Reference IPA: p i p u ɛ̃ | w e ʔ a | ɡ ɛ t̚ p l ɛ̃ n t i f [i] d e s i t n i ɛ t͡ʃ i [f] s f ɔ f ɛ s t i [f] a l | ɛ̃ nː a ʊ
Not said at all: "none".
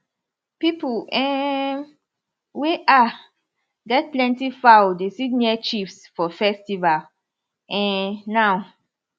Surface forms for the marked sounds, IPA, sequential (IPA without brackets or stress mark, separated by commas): a, f, v